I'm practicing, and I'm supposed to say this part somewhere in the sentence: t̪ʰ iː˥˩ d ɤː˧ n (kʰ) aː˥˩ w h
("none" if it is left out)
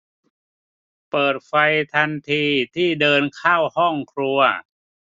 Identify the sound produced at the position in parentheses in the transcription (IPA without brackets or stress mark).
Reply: kʰ